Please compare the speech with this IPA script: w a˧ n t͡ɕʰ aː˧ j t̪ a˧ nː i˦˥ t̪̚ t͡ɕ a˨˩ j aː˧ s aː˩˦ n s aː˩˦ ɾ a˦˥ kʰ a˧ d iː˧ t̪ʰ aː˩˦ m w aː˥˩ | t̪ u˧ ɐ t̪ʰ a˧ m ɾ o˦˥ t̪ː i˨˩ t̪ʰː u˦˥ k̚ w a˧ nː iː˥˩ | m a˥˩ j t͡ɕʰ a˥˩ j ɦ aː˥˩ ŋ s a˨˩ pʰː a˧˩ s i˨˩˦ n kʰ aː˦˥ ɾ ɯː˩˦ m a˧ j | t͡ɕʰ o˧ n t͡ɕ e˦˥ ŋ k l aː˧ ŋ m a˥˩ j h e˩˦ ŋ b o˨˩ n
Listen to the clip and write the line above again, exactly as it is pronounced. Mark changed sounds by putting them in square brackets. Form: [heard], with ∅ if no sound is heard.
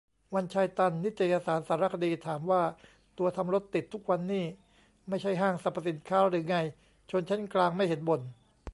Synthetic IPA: w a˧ n t͡ɕʰ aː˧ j t̪ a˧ nː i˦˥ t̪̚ t͡ɕ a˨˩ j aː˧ s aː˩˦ n s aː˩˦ ɾ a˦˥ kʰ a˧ d iː˧ t̪ʰ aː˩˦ m w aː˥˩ | t̪ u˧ ɐ t̪ʰ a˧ m ɾ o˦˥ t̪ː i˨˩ t̪ʰː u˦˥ k̚ w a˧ nː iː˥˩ | m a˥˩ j t͡ɕʰ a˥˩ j ɦ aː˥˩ ŋ s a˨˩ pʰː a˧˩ s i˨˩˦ n kʰ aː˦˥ ɾ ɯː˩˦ [ŋ] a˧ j | t͡ɕʰ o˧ n [t͡ɕʰ] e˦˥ [n] k l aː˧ ŋ m a˥˩ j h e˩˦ [n] b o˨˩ n